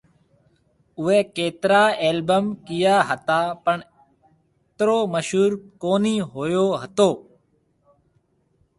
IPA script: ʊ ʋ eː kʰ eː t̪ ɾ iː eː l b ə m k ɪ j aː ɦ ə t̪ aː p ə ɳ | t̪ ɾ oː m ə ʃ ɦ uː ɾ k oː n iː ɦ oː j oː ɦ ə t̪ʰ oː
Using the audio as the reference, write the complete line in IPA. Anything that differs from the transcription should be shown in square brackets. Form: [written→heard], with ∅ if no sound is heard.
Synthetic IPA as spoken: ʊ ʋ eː [kʰ→k] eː t̪ ɾ [iː→aː] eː l b ə m k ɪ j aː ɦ ə t̪ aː p ə ɳ | t̪ ɾ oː m ə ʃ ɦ uː ɾ k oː n iː ɦ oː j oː ɦ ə [t̪ʰ→t̪] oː